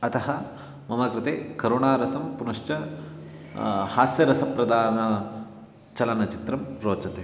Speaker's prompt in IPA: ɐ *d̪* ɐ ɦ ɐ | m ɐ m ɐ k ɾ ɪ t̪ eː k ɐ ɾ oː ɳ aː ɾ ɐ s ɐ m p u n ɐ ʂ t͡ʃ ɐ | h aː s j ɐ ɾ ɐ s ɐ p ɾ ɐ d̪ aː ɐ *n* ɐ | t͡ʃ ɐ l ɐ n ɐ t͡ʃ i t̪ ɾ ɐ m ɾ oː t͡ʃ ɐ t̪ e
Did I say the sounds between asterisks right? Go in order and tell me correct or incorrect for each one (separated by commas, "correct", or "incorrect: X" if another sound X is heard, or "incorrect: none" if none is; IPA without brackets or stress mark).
incorrect: t̪, correct